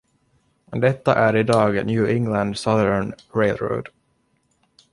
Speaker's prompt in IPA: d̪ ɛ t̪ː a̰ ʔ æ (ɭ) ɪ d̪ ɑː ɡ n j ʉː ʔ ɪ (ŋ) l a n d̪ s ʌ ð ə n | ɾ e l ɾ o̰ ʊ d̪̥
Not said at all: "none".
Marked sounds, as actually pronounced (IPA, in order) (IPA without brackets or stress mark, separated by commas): ɾ, ŋ